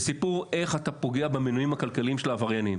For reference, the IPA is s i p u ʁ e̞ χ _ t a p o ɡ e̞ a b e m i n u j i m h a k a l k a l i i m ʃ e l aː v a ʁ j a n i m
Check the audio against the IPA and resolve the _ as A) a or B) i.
A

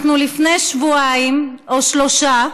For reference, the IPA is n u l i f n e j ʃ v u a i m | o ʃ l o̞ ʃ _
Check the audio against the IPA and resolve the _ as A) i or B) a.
B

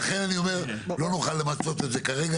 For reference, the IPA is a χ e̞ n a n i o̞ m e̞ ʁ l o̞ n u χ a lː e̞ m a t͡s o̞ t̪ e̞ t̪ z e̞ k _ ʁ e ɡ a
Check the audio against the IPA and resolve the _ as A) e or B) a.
B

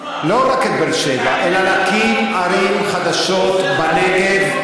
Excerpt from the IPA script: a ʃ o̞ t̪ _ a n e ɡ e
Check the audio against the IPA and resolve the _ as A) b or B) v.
A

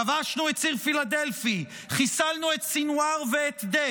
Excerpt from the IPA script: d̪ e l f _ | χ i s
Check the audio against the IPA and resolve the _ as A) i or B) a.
A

